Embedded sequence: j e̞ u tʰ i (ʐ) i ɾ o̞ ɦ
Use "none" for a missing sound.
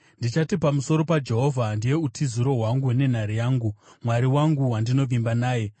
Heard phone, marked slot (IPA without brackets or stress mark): z